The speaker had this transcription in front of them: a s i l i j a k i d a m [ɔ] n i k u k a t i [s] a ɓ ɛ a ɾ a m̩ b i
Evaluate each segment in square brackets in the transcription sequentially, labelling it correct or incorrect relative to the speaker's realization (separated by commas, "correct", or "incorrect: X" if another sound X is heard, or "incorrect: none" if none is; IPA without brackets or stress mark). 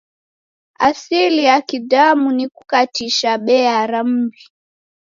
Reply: incorrect: u, incorrect: ʃ